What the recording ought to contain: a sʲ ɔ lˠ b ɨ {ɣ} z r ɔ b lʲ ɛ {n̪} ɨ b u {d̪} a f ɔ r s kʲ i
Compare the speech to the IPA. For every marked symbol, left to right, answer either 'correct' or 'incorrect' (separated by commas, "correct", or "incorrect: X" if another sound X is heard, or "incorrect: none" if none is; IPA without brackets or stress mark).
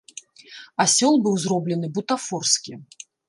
incorrect: w, correct, incorrect: t̪